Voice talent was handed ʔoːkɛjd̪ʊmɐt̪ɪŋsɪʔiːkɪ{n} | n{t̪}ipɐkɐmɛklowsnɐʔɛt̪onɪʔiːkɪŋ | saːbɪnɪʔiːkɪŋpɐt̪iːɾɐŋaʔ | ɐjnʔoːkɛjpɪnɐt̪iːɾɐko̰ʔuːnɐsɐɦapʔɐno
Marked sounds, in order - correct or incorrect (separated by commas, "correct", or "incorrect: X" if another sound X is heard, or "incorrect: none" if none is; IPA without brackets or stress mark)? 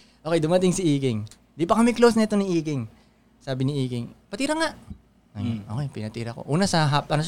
incorrect: ŋ, incorrect: d̪